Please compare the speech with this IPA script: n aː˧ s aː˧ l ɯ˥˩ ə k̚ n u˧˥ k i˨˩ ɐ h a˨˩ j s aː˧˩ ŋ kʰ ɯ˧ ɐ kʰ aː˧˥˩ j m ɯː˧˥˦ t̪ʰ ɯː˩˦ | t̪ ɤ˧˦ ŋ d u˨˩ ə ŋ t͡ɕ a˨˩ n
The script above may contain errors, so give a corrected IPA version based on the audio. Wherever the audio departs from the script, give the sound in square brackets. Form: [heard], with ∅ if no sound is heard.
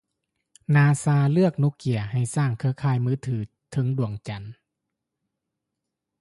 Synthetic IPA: n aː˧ s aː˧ l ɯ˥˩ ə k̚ n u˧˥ k i˨˩ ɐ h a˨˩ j s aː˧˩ ŋ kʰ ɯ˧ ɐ kʰ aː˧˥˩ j m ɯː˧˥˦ t̪ʰ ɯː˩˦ | [t̪ʰ] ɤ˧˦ ŋ d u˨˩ ə ŋ t͡ɕ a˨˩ n